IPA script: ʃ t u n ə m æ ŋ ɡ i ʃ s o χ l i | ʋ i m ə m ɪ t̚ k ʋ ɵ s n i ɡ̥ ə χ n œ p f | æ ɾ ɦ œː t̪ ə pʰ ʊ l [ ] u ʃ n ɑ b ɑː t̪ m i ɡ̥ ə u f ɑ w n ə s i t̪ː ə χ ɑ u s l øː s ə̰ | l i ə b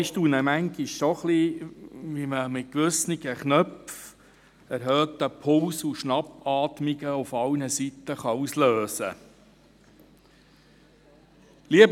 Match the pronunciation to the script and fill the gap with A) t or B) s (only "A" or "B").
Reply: B